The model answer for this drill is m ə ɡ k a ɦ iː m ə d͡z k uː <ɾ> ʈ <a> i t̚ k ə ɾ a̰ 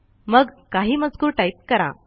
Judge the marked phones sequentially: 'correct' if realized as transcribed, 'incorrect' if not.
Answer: correct, correct

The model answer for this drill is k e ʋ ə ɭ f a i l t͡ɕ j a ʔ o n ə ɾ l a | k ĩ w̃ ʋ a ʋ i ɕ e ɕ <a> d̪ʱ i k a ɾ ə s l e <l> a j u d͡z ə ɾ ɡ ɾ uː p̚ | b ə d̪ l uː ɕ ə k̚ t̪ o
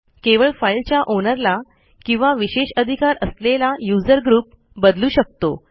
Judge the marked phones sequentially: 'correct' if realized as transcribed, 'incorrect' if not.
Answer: incorrect, correct

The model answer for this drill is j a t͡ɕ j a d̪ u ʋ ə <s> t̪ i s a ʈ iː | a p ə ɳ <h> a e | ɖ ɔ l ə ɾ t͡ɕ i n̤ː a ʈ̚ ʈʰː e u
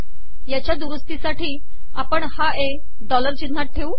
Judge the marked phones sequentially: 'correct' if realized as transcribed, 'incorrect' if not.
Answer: correct, correct

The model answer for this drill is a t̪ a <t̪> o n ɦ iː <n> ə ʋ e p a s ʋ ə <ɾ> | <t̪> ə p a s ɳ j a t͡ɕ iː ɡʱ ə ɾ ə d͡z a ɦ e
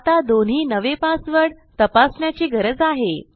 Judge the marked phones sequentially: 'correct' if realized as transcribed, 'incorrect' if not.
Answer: incorrect, correct, incorrect, correct

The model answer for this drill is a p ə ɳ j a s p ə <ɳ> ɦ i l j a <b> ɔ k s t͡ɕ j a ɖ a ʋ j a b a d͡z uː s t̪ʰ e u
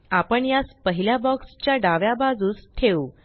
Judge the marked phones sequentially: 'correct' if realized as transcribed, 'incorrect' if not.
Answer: incorrect, correct

